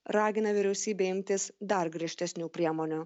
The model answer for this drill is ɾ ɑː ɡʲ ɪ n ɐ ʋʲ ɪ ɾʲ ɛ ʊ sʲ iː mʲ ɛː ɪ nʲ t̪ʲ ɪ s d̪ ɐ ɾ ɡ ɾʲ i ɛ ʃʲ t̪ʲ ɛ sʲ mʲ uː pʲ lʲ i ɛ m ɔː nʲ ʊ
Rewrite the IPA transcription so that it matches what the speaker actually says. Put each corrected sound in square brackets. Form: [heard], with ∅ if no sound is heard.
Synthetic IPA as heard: ɾ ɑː ɡʲ ɪ n ɐ ʋʲ ɪ ɾʲ ɛ ʊ sʲ iː [bʲ] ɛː ɪ [mʲ] t̪ʲ ɪ s d̪ ɐ ɾ ɡ ɾʲ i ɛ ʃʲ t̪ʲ ɛ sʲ [nʲ] uː pʲ [ɾʲ] i ɛ m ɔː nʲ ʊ